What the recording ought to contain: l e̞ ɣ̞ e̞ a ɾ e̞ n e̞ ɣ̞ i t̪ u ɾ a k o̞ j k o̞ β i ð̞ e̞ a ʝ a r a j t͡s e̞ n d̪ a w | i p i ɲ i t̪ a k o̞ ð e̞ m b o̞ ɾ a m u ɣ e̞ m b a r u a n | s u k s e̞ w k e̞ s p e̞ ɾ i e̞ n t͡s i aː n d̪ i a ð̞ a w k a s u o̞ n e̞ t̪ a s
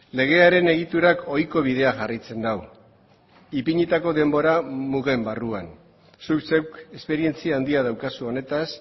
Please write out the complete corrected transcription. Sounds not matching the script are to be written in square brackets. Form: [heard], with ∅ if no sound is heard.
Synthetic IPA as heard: l e̞ ɣ̞ e̞ a ɾ e̞ n e̞ ɣ̞ i t̪ u ɾ a k o̞ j k o̞ β i ð̞ e̞ a ʝ a r a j t͡s e̞ n d̪ a w | i p i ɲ i t̪ a k o̞ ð e̞ m b o̞ ɾ a m u ɣ e̞ m b a r u a n | s u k s e̞ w k e̞ s p e̞ ɾ i e̞ n t͡s i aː n d̪ i a ð̞ a w k a s u o̞ n e̞ t̪ a s

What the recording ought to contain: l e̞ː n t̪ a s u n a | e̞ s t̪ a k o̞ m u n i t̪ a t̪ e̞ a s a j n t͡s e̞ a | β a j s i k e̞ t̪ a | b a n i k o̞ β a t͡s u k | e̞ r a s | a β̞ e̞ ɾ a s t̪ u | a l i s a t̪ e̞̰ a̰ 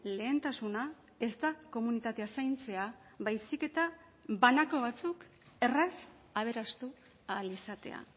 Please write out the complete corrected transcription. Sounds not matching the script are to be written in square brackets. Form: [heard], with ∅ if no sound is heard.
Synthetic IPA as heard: l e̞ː n t̪ a s u n a | e̞ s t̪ a k o̞ m u n i t̪ a t̪ e̞ a s a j n t͡s e̞ a | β a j s i k e̞ t̪ a | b a n [a] k o̞ β a t͡s u k | e̞ r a s | a β̞ e̞ ɾ a s t̪ u | a l i s a t̪ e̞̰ a̰

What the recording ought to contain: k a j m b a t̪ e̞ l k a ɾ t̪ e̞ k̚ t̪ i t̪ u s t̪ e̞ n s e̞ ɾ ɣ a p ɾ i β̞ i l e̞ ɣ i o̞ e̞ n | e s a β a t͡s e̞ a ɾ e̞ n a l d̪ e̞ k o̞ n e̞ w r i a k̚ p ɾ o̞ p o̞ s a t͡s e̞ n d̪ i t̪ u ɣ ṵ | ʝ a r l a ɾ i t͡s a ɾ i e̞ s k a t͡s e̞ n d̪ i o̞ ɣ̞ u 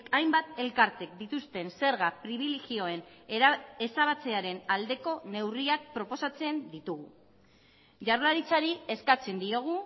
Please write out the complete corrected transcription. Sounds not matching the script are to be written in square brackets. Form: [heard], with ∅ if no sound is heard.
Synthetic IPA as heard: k a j m b a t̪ e̞ l k a ɾ t̪ e̞ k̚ [d̪] i t̪ u s t̪ e̞ n s e̞ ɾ ɣ a p ɾ i β̞ i l e̞ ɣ i o̞ e̞ n | e s a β a t͡s e̞ a ɾ e̞ n a l d̪ e̞ k o̞ n e̞ w r i a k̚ p ɾ o̞ p o̞ s a t͡s e̞ n d̪ i t̪ u ɣ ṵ | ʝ a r l a ɾ i t͡s a ɾ i e̞ s k a t͡s e̞ n d̪ i o̞ ɣ̞ u

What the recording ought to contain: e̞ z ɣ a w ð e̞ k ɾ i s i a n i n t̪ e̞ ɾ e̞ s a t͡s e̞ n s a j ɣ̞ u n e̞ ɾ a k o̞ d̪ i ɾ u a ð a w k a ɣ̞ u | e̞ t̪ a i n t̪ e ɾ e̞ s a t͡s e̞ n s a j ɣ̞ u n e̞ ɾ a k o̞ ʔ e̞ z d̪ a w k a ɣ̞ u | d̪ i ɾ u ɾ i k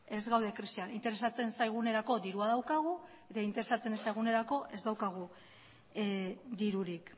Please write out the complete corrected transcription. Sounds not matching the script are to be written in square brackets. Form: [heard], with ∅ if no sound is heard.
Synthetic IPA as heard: e̞ z ɣ a w ð e̞ k ɾ i s i a n i n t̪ e̞ ɾ e̞ s a t͡s e̞ n s a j ɣ̞ u n e̞ ɾ a k o̞ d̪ i ɾ u a ð a w k a ɣ̞ u | e̞ t̪ a i n t̪ e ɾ e̞ s a t͡s e̞ n s a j ɣ̞ u n e̞ ɾ a k o̞ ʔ e̞ z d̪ a w k a ɣ̞ u | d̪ i ɾ u ɾ i k

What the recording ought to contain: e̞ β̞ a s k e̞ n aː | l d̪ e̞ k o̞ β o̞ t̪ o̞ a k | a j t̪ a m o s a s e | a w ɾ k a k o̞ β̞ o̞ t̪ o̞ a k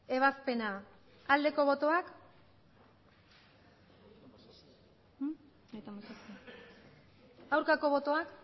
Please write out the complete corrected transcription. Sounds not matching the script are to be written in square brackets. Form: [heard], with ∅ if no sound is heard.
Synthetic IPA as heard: e̞ β̞ a s [p] e̞ n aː | l d̪ e̞ k o̞ β o̞ t̪ o̞ a k | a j t̪ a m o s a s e | a w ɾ k a k o̞ β̞ o̞ t̪ o̞ a k

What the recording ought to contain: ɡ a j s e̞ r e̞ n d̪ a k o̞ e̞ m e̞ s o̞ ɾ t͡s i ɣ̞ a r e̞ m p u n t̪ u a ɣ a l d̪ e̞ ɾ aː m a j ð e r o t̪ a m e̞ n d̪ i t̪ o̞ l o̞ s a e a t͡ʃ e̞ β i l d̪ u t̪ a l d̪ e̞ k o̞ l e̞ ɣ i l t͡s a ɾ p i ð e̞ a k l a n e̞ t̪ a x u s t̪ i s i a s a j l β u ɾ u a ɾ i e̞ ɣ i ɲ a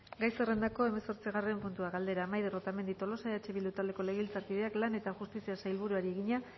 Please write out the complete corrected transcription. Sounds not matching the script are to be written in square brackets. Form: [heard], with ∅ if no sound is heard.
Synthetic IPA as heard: ɡ a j s e̞ r e̞ n d̪ a k o̞ e̞ m e̞ s o̞ ɾ t͡s i ɣ̞ a r e̞ m p u n t̪ u a ɣ a l d̪ e̞ ɾ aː m a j ð e r o t̪ a m e̞ n d̪ i t̪ o̞ l o̞ s a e a t͡ʃ e̞ β i l d̪ u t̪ a l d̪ e̞ k o̞ l e̞ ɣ i l t͡s a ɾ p i ð e̞ a k l a n e̞ t̪ a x u s t̪ i s i a s a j l β u ɾ u a ɾ i e̞ ɣ i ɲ a

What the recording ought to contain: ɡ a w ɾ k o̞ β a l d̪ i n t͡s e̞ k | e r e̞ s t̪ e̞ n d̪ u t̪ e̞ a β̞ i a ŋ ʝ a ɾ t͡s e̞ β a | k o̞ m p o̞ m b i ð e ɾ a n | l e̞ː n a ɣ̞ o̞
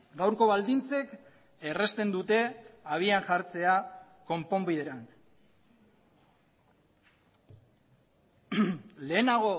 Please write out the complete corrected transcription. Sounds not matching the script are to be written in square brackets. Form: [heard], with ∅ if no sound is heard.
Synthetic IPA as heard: ɡ a w ɾ k o̞ β a l d̪ i n t͡s e̞ k | e r e̞ s t̪ e̞ n d̪ u t̪ e̞ a β̞ i a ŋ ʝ a ɾ t͡s e̞ [∅] a | k o̞ m p o̞ m b i ð e ɾ a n | l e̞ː n a ɣ̞ o̞

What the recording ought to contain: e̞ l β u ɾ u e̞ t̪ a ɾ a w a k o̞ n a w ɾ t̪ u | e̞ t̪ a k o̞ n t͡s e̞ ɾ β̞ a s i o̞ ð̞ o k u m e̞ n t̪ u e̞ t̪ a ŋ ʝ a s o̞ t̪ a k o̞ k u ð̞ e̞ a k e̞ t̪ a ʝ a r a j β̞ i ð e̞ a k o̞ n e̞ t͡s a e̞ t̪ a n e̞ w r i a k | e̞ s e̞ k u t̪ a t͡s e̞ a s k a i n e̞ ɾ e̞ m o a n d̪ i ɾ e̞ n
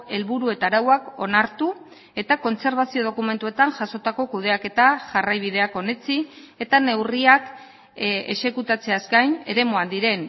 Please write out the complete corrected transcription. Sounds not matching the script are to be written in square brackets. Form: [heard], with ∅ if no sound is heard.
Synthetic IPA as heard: e̞ l β u ɾ u e̞ t̪ a ɾ a w a k o̞ n a [∅] ɾ t̪ u | e̞ t̪ a k o̞ n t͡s e̞ ɾ β̞ a s i o̞ ð̞ o k u m e̞ n t̪ u e̞ t̪ a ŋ ʝ a s o̞ t̪ a k o̞ k u ð̞ e̞ a k e̞ t̪ a ʝ a r a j β̞ i ð e̞ a k o̞ n e̞ t͡s [i] e̞ t̪ a n e̞ w r i a k | e̞ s e̞ k u t̪ a t͡s e̞ a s k a [j] n e̞ ɾ e̞ m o a n d̪ i ɾ e̞ n

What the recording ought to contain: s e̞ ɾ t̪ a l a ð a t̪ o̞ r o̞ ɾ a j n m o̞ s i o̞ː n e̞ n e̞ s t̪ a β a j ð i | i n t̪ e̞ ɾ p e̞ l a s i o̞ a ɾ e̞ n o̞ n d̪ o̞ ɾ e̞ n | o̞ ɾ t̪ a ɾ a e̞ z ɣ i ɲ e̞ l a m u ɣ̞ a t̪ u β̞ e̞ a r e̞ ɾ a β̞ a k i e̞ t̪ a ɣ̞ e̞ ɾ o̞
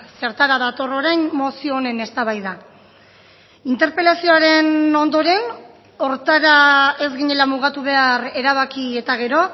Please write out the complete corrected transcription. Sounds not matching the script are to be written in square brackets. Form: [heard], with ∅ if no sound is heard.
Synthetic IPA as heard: s e̞ ɾ t̪ a [ɾ] a ð a t̪ o̞ r o̞ ɾ a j n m o̞ s i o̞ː n e̞ n e̞ s t̪ a β a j ð [a] | i n t̪ e̞ ɾ p e̞ l a s i o̞ a ɾ e̞ n o̞ n d̪ o̞ ɾ e̞ n | o̞ ɾ t̪ a ɾ a e̞ z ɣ i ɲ e̞ l a m u ɣ̞ a t̪ u β̞ e̞ a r e̞ ɾ a β̞ a k i e̞ t̪ a ɣ̞ e̞ ɾ o̞

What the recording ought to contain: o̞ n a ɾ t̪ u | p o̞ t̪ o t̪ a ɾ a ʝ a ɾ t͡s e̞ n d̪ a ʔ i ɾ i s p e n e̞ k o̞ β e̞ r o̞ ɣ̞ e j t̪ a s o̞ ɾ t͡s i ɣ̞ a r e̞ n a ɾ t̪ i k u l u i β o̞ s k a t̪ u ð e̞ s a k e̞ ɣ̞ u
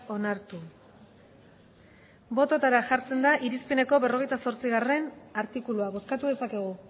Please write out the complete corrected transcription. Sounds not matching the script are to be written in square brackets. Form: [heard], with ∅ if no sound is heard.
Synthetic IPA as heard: o̞ n a ɾ t̪ u | [b] o̞ t̪ o t̪ a ɾ a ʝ a ɾ t͡s e̞ n d̪ a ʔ i ɾ i s p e n e̞ k o̞ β e̞ r o̞ ɣ̞ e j t̪ a s o̞ ɾ t͡s i ɣ̞ a r e̞ n a ɾ t̪ i k u l u [a] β o̞ s k a t̪ u ð e̞ s a k e̞ ɣ̞ u

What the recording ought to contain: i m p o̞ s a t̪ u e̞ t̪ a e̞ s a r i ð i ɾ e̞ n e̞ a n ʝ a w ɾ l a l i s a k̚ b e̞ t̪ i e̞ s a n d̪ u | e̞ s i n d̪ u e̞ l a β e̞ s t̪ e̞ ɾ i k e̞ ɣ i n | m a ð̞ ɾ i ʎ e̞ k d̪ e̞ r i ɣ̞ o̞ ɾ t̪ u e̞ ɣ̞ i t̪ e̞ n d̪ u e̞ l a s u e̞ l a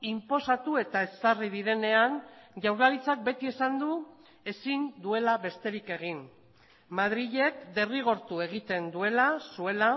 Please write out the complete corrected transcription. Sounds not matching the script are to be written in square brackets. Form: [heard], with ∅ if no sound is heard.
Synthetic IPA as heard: i m p o̞ s a t̪ u e̞ t̪ a e̞ s a r i ð i ɾ e̞ n e̞ a n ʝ a w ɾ l a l i [t͡s] a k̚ b e̞ t̪ i e̞ s a n d̪ u | e̞ s i n d̪ u e̞ l a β e̞ s t̪ e̞ ɾ i k e̞ ɣ i n | m a ð̞ ɾ i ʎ e̞ k d̪ e̞ r i ɣ̞ o̞ ɾ t̪ u e̞ ɣ̞ i t̪ e̞ n d̪ u e̞ l a s u e̞ l a

